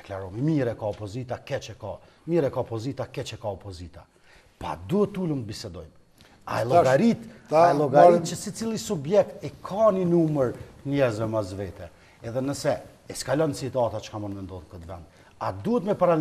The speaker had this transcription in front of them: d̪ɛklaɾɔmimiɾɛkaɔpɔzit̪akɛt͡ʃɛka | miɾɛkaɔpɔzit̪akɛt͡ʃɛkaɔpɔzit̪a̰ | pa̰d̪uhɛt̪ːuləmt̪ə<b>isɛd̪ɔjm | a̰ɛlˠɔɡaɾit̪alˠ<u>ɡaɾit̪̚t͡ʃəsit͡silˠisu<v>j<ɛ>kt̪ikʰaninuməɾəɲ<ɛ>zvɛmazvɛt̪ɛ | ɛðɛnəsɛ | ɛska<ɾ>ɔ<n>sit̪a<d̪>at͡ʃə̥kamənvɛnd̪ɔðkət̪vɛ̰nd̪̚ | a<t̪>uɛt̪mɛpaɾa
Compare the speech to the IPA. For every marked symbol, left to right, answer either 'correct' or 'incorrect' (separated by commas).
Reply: correct, incorrect, incorrect, correct, correct, incorrect, correct, incorrect, incorrect